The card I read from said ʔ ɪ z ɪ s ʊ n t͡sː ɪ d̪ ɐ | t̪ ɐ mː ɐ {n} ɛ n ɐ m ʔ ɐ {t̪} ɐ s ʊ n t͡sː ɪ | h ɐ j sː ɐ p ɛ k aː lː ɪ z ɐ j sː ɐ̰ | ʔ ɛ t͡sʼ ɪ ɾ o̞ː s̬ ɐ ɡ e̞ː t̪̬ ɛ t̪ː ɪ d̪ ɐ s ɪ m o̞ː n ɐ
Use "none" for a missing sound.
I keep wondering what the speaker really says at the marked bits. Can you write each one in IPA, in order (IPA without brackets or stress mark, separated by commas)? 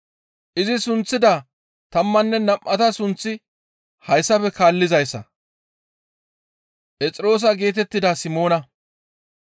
nː, t̪